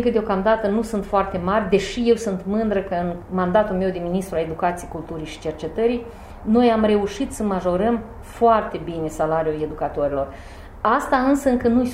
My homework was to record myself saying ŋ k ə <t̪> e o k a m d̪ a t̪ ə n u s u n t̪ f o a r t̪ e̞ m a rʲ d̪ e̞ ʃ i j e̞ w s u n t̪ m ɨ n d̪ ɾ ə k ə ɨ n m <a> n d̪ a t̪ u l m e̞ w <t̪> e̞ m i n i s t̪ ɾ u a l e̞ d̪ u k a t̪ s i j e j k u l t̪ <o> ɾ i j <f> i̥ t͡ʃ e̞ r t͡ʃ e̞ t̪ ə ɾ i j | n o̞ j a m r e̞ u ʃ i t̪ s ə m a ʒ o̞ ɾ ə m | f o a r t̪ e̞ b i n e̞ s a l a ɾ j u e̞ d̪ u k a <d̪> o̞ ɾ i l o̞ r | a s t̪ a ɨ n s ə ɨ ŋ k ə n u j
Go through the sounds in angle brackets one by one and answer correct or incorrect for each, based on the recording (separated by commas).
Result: incorrect, correct, incorrect, incorrect, incorrect, incorrect